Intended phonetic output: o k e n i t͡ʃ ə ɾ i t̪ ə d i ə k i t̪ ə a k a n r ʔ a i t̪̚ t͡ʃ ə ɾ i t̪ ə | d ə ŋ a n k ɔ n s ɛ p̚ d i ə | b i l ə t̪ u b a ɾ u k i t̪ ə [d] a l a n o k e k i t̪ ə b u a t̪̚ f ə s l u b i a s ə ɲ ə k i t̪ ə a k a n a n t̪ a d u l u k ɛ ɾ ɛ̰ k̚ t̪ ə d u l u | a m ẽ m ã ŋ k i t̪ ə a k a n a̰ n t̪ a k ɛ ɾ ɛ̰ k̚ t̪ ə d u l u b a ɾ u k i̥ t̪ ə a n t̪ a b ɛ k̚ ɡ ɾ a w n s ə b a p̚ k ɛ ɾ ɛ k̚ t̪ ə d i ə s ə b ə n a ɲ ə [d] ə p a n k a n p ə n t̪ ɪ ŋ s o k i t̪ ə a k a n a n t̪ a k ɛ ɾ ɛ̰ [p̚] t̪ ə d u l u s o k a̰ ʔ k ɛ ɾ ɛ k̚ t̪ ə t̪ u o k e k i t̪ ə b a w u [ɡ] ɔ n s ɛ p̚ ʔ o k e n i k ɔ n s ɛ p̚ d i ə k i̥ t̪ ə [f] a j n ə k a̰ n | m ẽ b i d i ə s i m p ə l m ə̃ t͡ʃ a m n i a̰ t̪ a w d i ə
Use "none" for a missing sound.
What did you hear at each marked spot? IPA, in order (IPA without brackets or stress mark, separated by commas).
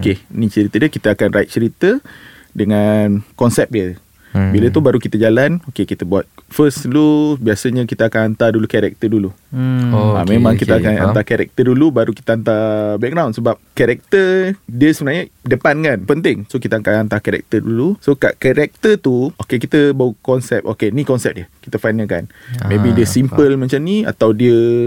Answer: d͡ʒ, d, k̚, k, f